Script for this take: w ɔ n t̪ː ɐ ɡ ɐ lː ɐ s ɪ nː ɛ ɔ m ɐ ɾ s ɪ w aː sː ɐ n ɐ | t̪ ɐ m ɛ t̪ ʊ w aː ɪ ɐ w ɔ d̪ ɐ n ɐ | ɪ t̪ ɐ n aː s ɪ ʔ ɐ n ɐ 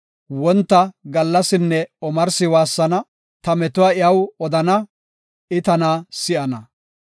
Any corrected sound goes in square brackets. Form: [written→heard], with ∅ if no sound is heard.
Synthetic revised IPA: w ɔ n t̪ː ɐ ɡ ɐ lː ɐ s ɪ nː ɛ ɔ m ɐ ɾ s ɪ w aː sː ɐ n ɐ | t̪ ɐ m ɛ t̪ ʊ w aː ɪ ɐ w ɔ d̪ ɐ n ɐ | ɪ t̪ ɐ n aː s ɪ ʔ ɐ n ɐ